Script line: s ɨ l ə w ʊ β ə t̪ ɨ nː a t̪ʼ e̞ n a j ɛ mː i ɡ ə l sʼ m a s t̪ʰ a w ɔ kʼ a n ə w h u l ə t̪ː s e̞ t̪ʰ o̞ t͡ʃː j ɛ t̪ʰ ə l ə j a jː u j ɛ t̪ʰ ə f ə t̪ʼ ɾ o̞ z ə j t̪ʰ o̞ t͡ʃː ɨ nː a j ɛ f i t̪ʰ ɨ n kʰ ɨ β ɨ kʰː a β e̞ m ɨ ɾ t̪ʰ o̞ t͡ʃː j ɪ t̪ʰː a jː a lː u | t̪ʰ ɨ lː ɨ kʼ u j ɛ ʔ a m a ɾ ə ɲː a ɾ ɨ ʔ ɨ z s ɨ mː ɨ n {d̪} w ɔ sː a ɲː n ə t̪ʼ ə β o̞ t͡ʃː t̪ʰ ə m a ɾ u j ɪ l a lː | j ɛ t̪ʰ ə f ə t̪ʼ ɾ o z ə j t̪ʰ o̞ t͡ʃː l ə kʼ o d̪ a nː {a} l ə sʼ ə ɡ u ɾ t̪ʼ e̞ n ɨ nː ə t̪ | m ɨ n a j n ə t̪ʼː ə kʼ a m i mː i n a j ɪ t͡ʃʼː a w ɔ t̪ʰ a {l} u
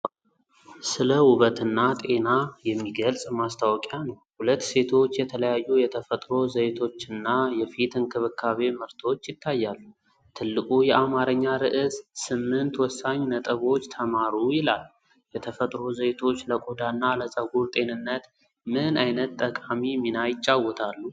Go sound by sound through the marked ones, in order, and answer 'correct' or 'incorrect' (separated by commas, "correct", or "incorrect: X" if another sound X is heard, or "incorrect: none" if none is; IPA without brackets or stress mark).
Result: incorrect: t̪, correct, incorrect: lː